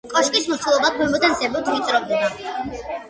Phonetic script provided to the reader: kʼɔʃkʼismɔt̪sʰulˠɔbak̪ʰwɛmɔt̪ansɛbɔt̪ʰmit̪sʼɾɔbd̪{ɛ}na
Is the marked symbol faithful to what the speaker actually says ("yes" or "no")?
yes